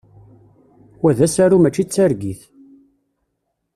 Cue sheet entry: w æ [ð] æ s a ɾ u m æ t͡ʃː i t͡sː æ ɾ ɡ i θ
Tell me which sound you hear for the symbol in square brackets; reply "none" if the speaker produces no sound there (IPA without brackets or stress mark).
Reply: ð